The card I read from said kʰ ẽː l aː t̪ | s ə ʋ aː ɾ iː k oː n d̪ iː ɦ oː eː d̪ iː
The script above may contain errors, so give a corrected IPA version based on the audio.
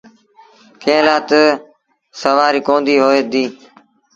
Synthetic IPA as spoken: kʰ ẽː l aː t̪ | s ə ʋ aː ɾ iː k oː n d̪ iː ɦ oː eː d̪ iː